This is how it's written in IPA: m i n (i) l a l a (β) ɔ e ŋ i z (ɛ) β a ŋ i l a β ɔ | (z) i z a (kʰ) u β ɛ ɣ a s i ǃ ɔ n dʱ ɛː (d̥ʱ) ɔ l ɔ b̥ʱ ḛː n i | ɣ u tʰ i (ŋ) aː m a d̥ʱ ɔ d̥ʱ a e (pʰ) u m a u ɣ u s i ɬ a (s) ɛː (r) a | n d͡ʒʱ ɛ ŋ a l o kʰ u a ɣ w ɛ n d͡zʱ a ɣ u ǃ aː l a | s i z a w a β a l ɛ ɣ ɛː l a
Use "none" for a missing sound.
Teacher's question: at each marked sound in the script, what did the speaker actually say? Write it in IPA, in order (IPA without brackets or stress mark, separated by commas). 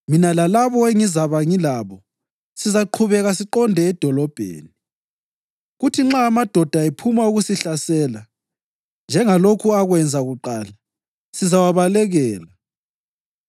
a, β, a, s, ǃʰ, d̥ʱ, ŋ͡ǁ, pʰ, s, l